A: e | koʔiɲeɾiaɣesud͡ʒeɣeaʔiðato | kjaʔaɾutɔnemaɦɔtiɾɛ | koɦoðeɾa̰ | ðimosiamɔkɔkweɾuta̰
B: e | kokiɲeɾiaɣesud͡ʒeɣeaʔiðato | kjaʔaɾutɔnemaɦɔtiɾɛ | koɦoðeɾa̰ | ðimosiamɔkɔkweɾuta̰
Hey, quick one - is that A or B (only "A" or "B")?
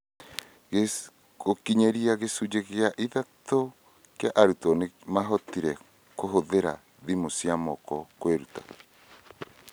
B